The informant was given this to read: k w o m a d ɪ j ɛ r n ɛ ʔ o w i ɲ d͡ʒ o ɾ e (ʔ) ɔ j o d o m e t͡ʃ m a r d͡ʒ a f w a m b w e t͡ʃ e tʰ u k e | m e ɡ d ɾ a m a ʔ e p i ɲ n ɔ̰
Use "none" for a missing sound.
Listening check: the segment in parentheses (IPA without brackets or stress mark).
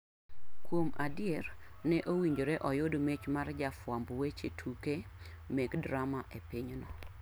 ʔ